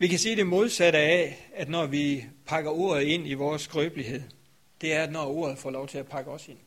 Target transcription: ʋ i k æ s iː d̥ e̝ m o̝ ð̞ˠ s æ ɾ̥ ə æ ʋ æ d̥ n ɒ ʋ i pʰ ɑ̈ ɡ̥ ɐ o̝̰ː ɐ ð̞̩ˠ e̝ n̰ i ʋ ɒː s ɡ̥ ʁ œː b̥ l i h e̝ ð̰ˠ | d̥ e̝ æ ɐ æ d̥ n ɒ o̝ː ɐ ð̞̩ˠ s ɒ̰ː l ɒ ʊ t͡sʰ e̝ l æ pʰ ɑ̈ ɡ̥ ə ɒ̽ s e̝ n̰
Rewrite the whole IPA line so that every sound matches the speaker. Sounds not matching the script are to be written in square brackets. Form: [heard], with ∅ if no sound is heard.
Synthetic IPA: ʋ i k æ s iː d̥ e̝ m o̝ ð̞ˠ s æ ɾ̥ ə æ [∅] æ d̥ n ɒ ʋ i pʰ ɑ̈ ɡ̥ ɐ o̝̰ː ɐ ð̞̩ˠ e̝ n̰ i ʋ ɒː s ɡ̥ ʁ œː b̥ l i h e̝ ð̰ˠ | d̥ e̝ æ ɐ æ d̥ n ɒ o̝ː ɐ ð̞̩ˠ [f] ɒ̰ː l ɒ ʊ t͡sʰ e̝ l æ pʰ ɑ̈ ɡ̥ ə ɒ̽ s e̝ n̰